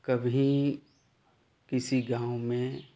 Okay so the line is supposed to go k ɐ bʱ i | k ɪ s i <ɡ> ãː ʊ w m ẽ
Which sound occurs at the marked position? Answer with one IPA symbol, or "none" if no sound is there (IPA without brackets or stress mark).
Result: ɡ